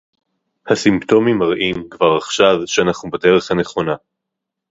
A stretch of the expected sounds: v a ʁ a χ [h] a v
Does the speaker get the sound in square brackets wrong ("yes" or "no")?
yes